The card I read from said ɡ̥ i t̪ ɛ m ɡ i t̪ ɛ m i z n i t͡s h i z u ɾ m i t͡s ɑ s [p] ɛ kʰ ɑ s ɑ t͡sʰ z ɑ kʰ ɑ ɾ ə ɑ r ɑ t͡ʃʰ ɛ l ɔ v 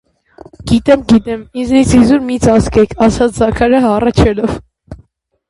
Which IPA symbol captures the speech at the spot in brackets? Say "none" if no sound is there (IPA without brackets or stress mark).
k